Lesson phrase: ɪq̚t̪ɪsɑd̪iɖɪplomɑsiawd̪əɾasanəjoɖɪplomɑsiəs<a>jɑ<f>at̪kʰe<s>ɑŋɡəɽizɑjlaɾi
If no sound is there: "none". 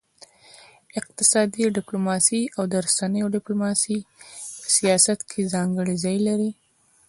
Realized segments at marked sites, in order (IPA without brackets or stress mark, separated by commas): i, s, z